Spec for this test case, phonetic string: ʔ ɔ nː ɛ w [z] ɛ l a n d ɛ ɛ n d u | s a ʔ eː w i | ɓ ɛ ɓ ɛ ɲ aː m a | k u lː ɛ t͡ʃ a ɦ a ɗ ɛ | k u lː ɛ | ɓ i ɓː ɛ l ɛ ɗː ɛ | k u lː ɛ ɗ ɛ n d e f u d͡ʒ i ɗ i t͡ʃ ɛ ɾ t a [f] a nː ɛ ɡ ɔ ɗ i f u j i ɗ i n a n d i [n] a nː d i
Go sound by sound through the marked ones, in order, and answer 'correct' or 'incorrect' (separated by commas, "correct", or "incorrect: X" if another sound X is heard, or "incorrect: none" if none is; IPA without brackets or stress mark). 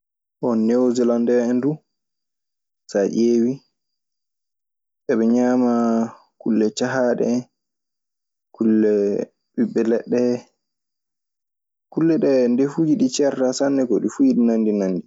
correct, incorrect: s, correct